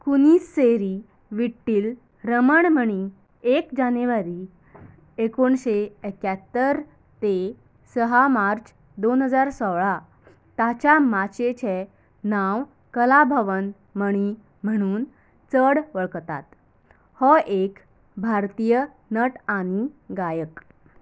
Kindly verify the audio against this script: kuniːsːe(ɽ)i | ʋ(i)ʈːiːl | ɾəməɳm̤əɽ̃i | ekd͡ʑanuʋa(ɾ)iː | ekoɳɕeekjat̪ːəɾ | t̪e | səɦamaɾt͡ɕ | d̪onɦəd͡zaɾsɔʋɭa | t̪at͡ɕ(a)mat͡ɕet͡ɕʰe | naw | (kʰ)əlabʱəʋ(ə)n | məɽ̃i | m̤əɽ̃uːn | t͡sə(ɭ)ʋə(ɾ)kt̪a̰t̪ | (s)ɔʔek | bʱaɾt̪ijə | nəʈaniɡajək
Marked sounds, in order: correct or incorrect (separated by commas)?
incorrect, correct, correct, correct, incorrect, correct, incorrect, incorrect, incorrect